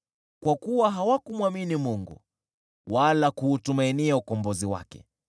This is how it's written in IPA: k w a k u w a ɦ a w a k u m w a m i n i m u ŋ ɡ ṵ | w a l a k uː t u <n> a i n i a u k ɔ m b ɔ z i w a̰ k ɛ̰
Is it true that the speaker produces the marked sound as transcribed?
no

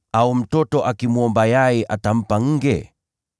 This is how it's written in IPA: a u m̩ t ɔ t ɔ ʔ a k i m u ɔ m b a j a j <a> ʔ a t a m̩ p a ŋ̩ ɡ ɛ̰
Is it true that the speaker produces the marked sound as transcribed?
no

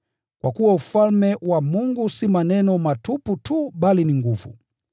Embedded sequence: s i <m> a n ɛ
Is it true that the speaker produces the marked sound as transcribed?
yes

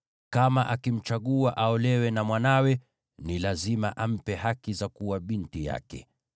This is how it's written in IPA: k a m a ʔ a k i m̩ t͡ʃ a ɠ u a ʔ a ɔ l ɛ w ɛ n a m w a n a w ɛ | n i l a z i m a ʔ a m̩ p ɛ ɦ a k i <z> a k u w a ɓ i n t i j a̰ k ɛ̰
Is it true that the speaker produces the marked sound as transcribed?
yes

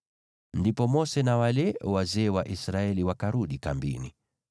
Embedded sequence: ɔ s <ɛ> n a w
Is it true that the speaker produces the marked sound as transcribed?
yes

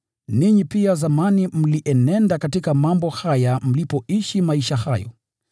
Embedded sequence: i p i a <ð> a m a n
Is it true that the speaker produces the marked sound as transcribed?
no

